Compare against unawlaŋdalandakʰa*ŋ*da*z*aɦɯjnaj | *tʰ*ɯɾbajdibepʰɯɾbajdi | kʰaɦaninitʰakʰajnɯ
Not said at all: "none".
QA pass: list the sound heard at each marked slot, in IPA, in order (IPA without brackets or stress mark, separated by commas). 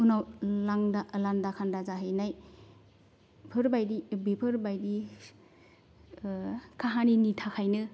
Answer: n, z, pʰ